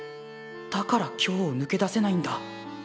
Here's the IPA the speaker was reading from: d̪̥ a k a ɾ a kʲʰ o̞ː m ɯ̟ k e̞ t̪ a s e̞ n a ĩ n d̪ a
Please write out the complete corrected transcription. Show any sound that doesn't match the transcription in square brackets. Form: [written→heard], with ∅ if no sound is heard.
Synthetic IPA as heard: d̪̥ a k a ɾ a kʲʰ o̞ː [m→n] ɯ̟ k e̞ [t̪→d̪] a s e̞ n a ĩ n d̪ a